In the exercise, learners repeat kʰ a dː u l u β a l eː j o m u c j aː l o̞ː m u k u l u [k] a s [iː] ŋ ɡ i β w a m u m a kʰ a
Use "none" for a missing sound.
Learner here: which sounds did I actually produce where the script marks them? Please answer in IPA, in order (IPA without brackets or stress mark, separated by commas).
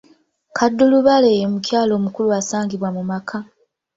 none, aː